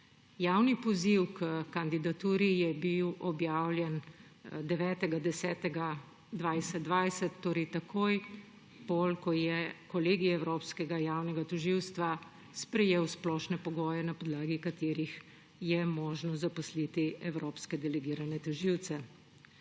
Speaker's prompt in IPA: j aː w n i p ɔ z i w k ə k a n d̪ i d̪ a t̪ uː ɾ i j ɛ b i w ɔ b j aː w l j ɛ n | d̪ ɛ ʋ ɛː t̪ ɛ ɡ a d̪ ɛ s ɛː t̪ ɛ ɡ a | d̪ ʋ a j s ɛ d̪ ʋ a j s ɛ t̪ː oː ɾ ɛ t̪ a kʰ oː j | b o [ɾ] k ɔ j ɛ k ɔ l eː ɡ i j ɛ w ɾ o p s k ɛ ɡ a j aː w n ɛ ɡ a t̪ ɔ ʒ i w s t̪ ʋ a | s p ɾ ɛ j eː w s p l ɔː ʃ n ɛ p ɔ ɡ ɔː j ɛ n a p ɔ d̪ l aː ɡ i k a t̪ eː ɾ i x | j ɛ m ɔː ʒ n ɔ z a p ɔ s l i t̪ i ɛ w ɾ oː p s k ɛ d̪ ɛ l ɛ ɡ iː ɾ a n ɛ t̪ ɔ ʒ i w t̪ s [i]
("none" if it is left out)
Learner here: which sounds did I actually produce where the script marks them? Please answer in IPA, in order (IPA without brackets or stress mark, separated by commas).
l, ɛ